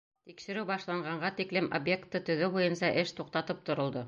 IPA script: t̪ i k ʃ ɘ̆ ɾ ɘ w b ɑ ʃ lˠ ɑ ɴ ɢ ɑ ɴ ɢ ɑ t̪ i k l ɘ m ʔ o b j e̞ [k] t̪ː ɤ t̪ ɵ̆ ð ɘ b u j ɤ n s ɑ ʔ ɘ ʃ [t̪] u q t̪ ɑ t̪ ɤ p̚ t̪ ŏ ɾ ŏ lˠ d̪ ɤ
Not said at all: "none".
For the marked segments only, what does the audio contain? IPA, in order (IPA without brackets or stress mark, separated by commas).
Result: k, t̪